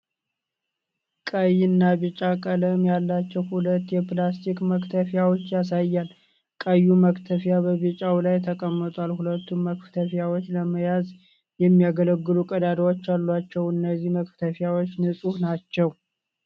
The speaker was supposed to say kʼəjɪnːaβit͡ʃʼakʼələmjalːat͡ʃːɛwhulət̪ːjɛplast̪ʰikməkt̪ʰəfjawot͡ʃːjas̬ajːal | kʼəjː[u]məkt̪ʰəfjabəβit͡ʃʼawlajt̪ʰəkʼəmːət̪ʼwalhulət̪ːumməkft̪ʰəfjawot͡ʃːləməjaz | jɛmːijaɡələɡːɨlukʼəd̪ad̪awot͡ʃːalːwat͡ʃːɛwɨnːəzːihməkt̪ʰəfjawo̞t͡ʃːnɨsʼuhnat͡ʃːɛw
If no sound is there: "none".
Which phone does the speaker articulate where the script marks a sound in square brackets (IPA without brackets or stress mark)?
u